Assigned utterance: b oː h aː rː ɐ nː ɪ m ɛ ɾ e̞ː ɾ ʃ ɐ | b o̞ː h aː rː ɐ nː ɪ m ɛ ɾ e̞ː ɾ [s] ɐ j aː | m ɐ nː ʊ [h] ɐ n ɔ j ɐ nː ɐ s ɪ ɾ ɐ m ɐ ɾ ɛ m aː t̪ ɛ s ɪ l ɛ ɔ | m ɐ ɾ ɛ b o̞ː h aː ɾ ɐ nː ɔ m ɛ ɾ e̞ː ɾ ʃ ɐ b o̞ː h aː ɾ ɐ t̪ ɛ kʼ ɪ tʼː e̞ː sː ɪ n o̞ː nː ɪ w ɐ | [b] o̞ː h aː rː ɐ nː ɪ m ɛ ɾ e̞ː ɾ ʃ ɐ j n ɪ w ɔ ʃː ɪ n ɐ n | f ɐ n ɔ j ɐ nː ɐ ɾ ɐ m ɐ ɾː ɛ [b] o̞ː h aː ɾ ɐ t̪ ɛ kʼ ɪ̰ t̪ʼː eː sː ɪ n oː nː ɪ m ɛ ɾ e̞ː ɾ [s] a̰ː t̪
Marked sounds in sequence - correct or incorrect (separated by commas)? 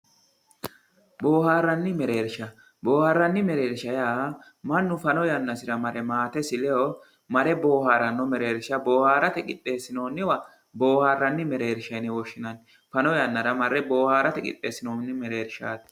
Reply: incorrect, incorrect, correct, correct, incorrect